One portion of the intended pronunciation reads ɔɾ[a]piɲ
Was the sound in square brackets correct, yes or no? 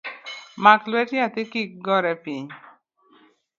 no